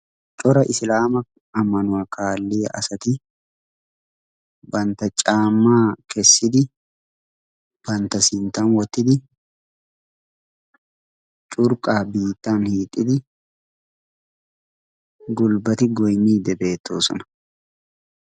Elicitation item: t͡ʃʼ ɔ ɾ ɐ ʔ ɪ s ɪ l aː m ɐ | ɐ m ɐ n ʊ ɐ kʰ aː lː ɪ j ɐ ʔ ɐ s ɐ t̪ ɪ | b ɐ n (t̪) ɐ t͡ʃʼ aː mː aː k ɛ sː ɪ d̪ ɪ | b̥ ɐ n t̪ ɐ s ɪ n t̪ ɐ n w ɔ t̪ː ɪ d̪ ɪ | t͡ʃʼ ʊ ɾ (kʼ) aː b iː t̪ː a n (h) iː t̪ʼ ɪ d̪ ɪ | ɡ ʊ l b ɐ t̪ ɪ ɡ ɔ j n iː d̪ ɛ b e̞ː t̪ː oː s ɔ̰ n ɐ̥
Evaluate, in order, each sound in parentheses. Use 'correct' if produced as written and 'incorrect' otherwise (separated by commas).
correct, correct, correct